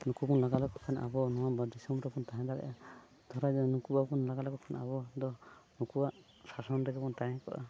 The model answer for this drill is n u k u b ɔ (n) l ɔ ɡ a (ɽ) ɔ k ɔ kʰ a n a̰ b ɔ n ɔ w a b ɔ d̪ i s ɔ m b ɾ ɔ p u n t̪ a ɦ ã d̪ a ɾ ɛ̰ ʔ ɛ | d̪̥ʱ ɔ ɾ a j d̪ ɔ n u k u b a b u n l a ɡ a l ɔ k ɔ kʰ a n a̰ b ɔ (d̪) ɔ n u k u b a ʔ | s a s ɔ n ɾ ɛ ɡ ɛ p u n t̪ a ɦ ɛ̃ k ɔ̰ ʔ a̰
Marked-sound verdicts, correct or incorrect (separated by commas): correct, incorrect, correct